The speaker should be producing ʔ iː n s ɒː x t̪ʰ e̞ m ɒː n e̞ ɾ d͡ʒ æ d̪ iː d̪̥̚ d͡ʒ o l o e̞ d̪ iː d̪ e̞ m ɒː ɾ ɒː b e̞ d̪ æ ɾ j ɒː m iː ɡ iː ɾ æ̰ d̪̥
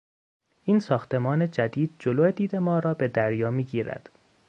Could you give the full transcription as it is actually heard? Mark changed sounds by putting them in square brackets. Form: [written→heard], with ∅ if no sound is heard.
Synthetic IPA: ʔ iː n s ɒː x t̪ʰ e̞ m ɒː n e̞ [ɾ→∅] d͡ʒ æ d̪ iː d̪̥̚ d͡ʒ o l o e̞ d̪ iː d̪ e̞ m ɒː ɾ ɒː b e̞ d̪ æ ɾ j ɒː m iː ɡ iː ɾ æ̰ d̪̥

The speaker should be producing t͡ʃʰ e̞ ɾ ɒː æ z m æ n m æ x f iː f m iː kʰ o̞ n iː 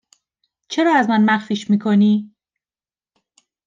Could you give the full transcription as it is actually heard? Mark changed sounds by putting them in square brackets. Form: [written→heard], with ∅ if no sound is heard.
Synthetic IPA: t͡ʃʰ e̞ ɾ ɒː æ z m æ n m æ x f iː [f→ʃ] m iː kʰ o̞ n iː

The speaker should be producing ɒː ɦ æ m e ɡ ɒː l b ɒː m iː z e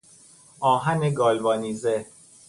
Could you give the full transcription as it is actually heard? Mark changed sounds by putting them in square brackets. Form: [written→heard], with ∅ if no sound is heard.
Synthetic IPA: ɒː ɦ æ [m→n] e ɡ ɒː l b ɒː [m→n] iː z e

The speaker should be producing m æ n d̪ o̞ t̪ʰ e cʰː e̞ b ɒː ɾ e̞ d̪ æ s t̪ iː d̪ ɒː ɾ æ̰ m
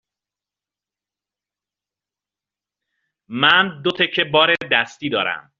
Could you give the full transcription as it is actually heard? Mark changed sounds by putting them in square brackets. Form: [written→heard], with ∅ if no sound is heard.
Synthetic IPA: m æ n d̪ o̞ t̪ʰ e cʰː e̞ b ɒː ɾ e̞ d̪ æ s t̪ iː d̪ ɒː ɾ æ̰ m

